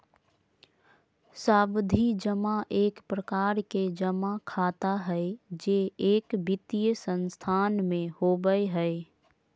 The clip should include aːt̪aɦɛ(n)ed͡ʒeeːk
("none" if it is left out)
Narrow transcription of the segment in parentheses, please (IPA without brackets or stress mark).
none